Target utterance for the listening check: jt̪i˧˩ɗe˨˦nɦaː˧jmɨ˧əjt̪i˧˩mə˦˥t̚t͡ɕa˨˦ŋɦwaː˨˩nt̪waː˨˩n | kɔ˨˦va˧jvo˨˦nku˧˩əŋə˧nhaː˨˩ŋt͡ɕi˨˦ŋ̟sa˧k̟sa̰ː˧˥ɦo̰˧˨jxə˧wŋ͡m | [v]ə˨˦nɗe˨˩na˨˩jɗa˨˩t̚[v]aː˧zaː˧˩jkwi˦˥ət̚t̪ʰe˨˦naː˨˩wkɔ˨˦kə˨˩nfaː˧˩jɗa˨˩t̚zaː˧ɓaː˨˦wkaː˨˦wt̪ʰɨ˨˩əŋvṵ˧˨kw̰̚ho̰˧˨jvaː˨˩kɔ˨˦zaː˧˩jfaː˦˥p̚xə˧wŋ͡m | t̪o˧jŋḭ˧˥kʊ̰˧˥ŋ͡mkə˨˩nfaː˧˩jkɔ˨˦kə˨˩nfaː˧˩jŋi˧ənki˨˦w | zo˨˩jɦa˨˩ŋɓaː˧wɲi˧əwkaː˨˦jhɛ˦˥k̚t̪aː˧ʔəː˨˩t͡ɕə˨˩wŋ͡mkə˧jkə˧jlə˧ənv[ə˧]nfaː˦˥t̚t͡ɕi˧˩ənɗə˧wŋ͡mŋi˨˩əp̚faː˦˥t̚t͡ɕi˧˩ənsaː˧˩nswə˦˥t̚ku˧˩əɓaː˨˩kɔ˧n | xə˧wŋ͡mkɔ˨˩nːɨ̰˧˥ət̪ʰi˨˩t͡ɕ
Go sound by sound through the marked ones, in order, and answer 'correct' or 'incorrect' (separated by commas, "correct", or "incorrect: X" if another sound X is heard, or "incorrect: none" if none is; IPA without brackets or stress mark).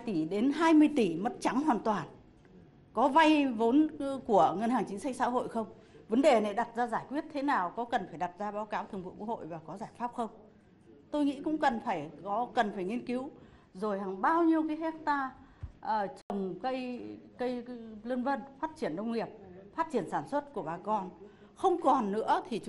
correct, incorrect: z, correct